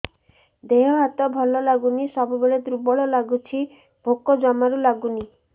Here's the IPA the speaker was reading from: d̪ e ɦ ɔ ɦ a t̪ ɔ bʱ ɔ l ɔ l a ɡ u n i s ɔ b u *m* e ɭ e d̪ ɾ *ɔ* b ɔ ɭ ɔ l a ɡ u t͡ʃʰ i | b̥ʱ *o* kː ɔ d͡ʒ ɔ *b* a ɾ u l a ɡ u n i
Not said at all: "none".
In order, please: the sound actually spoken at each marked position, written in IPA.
b, u, o, m

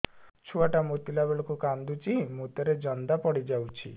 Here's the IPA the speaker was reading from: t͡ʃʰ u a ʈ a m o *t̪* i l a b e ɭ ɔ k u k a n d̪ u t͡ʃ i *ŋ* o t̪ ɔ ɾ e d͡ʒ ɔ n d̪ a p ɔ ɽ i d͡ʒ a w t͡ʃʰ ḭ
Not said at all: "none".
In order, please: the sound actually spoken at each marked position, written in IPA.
t̪, m

